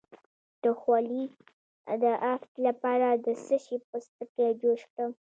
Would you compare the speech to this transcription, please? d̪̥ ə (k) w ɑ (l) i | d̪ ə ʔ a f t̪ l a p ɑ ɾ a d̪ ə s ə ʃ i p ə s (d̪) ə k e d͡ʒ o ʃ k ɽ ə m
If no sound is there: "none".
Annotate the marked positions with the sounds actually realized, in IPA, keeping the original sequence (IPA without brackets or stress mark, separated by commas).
x, l, t̪